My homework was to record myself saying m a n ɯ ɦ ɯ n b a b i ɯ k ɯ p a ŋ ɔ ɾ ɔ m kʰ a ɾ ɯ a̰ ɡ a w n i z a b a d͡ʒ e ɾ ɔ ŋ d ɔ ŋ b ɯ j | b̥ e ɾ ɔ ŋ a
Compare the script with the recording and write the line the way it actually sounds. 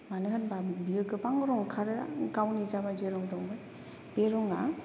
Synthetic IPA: m a n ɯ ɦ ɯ n b a b i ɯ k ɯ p a ŋ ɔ ɾ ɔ ŋ kʰ a ɾ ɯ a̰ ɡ a w n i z a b a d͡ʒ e ɾ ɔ ŋ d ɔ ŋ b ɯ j | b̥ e ɾ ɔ ŋ a